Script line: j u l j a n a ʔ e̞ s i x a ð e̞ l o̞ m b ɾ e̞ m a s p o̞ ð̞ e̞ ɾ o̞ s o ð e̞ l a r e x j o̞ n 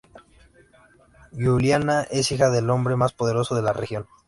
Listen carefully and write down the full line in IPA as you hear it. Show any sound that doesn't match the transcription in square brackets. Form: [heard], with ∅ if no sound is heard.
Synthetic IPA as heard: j u l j a n a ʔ e̞ s i x a ð e̞ l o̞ m b ɾ e̞ m a s p o̞ ð̞ e̞ ɾ o̞ s o ð e̞ l a r e x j o̞ n